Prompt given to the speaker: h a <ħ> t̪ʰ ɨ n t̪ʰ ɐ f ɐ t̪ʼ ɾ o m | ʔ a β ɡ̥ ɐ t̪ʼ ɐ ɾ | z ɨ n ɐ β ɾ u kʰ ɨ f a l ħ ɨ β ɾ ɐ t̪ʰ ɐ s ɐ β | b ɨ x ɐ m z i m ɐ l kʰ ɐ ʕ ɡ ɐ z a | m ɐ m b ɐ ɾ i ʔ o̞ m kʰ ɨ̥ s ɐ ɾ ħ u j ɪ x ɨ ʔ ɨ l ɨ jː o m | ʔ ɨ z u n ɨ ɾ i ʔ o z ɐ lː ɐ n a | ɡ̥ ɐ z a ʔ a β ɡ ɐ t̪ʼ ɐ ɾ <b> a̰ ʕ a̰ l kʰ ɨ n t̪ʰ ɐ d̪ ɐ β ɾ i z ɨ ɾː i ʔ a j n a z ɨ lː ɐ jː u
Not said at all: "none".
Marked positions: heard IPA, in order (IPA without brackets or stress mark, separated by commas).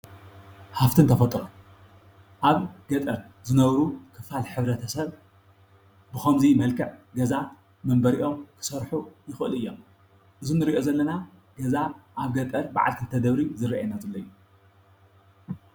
f, b